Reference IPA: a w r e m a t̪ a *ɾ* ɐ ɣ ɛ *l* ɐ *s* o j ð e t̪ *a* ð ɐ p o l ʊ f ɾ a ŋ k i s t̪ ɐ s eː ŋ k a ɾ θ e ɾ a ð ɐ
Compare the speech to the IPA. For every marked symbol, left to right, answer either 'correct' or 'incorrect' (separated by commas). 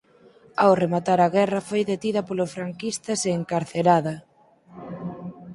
correct, incorrect, incorrect, incorrect